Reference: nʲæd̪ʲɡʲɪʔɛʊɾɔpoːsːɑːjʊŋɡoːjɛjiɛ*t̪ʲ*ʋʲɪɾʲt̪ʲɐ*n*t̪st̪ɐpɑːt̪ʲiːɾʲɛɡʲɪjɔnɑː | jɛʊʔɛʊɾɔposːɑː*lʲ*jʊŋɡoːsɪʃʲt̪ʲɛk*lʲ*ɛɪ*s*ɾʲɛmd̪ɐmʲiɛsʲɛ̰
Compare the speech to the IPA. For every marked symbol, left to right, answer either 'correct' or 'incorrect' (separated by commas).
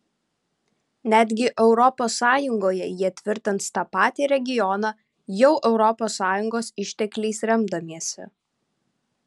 correct, correct, incorrect, correct, correct